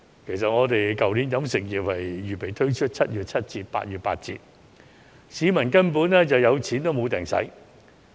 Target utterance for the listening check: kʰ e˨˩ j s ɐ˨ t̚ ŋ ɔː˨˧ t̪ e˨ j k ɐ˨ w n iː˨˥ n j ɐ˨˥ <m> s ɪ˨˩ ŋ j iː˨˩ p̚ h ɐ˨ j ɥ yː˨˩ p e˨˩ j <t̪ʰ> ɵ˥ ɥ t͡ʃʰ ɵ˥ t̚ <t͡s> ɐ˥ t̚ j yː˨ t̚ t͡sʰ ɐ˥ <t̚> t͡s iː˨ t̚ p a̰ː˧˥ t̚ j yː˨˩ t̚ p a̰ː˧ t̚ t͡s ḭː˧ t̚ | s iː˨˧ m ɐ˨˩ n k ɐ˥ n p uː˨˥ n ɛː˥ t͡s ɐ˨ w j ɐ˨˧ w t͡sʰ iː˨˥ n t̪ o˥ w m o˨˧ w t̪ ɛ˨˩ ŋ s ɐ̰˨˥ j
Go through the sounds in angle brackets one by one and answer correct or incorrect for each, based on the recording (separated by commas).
correct, correct, incorrect, correct